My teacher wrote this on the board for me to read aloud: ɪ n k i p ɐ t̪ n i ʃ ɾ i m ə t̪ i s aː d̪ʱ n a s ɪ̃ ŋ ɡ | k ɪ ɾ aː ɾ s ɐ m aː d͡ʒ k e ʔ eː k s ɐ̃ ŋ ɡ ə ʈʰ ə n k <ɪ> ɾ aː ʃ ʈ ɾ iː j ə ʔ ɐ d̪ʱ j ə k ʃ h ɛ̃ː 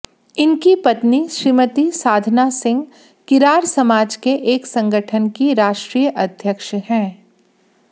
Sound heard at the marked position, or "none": i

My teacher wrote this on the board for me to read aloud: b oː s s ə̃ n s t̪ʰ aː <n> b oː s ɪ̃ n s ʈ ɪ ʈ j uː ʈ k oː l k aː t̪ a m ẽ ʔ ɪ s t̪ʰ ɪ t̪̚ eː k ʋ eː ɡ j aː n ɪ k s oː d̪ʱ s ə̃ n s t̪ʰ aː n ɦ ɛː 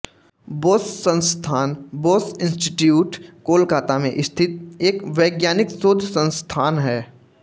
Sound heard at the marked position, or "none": n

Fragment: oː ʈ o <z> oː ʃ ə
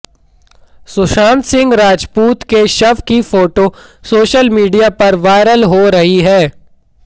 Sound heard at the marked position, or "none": s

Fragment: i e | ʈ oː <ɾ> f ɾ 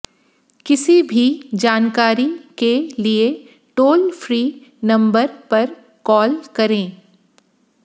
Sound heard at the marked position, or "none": l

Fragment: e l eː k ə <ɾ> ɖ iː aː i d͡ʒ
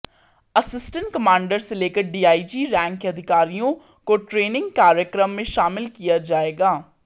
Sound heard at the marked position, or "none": ɾ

